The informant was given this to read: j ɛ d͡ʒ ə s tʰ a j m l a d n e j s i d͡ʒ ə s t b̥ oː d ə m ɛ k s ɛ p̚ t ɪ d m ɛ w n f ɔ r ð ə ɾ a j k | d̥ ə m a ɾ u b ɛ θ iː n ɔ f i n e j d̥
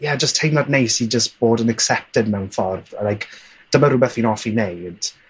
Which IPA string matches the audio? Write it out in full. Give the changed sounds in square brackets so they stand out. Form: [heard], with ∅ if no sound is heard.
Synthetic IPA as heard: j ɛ d͡ʒ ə s tʰ [e] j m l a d n e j s i d͡ʒ ə s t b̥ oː d ə [n] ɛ k s ɛ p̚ t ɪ d m ɛ w n f ɔ r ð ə [l] a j k | d̥ ə m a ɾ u b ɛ θ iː n ɔ f i n e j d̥